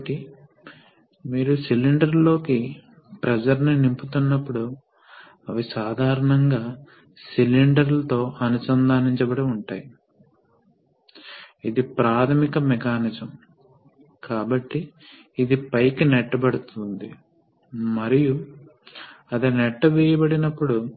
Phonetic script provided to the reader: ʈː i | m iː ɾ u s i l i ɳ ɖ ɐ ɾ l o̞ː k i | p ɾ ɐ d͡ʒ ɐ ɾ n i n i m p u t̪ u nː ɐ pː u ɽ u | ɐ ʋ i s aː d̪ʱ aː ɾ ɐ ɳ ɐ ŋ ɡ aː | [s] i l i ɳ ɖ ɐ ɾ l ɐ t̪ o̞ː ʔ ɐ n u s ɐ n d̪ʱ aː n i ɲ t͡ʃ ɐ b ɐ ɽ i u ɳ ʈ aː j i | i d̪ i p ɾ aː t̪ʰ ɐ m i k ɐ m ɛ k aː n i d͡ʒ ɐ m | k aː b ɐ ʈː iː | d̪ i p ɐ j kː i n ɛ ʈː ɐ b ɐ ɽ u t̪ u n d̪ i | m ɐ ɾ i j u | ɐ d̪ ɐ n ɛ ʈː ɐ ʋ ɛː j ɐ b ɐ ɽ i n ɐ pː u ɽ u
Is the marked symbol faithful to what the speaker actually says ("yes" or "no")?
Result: yes